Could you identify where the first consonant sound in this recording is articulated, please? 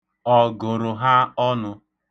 velar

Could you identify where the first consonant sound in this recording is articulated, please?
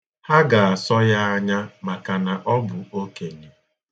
glottal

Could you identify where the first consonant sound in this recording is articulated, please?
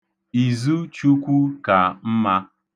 alveolar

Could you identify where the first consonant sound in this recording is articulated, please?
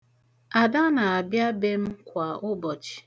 alveolar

